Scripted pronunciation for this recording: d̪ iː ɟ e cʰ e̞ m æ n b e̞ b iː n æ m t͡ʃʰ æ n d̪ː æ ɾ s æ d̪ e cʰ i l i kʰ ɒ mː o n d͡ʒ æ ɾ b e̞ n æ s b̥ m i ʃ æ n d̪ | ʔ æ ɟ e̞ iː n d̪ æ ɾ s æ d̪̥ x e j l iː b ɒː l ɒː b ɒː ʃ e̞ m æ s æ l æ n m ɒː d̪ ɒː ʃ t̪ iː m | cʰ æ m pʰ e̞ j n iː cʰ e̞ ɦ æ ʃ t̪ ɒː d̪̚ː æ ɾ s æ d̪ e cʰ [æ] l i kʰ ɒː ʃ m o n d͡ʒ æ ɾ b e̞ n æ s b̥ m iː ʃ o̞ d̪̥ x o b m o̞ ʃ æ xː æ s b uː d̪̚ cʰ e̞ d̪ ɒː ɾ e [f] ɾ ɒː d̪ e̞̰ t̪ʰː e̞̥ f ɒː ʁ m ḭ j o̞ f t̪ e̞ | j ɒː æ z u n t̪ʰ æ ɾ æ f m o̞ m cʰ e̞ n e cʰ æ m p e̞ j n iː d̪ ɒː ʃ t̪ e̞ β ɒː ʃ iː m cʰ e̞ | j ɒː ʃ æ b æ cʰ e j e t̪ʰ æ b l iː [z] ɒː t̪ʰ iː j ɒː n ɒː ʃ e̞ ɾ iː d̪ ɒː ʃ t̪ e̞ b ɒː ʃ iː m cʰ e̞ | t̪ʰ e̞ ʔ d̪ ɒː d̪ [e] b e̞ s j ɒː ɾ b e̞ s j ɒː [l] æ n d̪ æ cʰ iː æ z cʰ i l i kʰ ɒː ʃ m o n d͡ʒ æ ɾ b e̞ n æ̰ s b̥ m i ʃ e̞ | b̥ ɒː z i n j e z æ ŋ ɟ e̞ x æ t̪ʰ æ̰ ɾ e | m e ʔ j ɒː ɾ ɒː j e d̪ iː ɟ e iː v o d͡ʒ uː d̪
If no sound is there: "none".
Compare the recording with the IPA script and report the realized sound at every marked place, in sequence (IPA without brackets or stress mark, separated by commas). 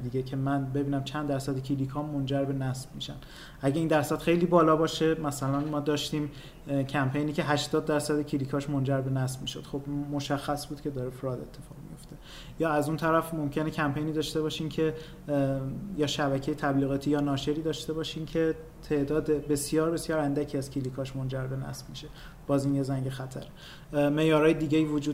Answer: i, f, ɣ, e, ɾ